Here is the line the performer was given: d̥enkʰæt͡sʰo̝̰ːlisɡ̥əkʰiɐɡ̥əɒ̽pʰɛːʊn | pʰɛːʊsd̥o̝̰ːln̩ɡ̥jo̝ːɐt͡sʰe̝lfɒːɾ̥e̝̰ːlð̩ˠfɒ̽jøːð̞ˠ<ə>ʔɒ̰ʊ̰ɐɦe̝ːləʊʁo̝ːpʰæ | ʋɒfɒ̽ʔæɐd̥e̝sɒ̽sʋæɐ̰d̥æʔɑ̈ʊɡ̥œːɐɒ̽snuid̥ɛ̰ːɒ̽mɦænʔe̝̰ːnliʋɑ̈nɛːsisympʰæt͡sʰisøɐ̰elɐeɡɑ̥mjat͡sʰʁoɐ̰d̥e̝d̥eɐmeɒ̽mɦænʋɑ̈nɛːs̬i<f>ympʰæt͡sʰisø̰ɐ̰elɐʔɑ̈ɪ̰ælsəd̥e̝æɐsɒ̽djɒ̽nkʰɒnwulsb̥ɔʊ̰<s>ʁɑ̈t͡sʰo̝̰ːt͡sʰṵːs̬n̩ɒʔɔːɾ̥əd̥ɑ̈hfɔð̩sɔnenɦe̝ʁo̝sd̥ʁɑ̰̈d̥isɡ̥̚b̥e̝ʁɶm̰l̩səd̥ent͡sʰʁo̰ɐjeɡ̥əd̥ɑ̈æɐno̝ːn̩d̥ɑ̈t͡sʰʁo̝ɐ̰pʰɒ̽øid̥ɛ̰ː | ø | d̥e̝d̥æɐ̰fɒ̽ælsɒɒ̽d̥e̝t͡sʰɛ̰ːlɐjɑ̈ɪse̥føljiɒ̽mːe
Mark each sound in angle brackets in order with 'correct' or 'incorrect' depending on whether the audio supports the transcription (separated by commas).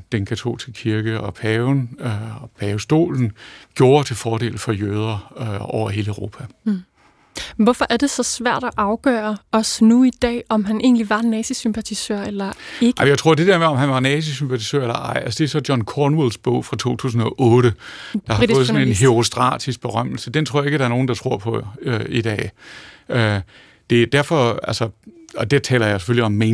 incorrect, incorrect, incorrect